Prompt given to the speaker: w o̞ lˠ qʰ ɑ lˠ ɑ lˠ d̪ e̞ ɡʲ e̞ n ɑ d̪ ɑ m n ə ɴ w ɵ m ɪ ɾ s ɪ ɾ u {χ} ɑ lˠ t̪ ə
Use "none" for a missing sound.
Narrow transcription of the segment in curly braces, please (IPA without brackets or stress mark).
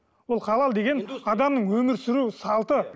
s